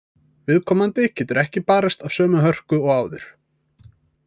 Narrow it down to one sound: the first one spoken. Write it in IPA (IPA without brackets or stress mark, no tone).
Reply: v